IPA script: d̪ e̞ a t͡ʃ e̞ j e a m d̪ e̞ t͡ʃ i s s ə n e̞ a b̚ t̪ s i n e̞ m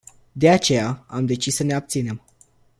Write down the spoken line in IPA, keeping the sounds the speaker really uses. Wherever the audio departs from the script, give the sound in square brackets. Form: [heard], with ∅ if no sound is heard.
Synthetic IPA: d̪ e̞ a t͡ʃ e̞ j [a] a m d̪ e̞ t͡ʃ i s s ə n e̞ a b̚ t̪ s i n e̞ m